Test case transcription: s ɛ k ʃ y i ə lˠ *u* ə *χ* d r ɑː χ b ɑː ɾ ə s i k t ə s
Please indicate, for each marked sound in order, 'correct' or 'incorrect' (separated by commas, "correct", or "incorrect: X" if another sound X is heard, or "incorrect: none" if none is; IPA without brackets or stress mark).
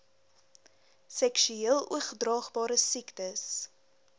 correct, correct